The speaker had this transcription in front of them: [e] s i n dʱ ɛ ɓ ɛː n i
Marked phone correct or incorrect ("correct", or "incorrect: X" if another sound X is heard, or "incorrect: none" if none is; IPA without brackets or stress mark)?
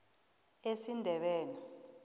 correct